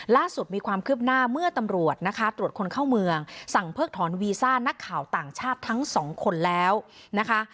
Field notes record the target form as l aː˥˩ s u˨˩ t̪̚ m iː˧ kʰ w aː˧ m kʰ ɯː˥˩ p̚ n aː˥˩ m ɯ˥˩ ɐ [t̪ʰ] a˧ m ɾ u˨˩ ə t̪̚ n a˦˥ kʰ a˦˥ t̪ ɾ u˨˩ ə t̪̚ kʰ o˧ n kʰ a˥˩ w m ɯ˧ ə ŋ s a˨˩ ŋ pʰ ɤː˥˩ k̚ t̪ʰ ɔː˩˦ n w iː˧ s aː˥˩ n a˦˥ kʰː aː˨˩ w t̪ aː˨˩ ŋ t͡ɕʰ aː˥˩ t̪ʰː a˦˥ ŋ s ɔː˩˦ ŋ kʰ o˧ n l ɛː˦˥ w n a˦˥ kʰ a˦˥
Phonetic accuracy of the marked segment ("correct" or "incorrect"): incorrect